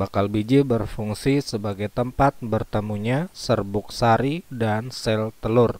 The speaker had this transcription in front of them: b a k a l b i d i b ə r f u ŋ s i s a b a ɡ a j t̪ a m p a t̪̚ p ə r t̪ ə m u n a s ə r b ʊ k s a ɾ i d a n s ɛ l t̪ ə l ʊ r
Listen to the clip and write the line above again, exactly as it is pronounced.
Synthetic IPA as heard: b a k a l b i d͡ʒ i b ə r f u ŋ s i s ə b a ɡ a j t̪ ə m p a t̪̚ b ə r t̪ ə m u ɲ a s ə r b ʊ k s a ɾ i d a n s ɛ l t̪ ə l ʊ r